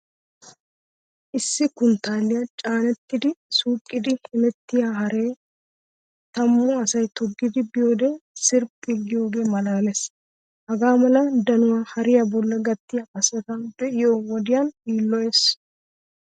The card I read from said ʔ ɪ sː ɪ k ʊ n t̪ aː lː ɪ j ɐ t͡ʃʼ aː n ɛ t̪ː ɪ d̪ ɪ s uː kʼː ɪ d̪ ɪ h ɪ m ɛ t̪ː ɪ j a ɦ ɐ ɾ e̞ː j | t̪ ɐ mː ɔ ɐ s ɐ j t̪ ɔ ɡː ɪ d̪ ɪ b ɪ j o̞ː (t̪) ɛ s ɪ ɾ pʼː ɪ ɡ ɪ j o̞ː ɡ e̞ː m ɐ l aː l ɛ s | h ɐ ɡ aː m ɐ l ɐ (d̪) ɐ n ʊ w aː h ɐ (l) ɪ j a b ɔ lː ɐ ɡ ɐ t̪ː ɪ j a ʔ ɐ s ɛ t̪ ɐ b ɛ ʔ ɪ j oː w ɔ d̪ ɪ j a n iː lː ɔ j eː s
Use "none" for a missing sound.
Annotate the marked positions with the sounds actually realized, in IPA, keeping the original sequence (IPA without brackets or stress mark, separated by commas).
d̪, d̪, ɾ